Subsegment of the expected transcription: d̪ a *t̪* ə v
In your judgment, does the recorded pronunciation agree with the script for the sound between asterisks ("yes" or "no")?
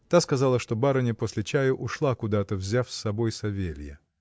yes